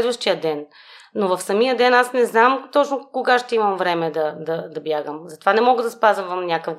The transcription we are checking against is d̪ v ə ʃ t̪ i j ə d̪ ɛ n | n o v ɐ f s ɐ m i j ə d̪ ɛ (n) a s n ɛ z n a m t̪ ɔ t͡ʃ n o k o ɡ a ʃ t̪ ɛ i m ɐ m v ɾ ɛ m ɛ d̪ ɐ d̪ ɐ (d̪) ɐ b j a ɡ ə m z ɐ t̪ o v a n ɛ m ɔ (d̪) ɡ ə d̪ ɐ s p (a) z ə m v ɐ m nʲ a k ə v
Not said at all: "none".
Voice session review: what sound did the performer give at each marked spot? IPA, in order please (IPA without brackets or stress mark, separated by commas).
n, d̪, none, a